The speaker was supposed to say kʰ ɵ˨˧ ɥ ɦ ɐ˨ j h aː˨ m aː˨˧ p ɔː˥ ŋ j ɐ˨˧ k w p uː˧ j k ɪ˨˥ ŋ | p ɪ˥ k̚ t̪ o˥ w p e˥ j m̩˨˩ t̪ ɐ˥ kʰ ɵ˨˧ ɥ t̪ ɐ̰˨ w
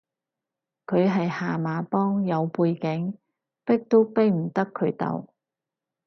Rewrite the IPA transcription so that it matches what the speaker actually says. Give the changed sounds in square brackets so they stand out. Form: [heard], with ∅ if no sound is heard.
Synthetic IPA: kʰ ɵ˨˧ ɥ ɦ ɐ˨ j h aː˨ m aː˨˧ p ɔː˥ ŋ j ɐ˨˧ [∅] w p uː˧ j k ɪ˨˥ ŋ | p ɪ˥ k̚ t̪ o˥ w p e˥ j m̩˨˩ t̪ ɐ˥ kʰ ɵ˨˧ ɥ t̪ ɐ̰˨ w